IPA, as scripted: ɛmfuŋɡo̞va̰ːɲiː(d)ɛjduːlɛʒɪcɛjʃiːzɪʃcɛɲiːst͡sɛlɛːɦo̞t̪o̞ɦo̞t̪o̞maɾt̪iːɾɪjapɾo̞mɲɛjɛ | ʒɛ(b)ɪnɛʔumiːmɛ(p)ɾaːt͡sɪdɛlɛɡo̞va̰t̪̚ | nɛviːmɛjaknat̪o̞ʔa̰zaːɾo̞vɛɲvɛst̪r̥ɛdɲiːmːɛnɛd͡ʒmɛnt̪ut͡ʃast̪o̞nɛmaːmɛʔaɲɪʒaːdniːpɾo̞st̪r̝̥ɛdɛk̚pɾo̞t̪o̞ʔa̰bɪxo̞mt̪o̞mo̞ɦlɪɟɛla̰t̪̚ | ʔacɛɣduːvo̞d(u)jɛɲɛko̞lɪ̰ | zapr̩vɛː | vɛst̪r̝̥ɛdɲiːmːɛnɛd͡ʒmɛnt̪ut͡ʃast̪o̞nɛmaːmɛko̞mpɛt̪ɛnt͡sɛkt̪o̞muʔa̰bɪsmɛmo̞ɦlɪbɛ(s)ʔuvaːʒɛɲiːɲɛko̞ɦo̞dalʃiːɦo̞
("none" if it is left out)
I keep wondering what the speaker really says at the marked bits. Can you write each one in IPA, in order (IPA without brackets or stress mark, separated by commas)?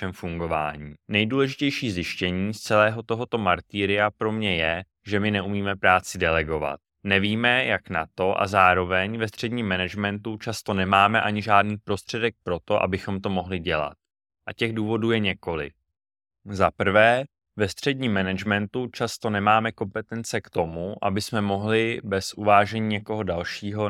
n, m, p, uː, s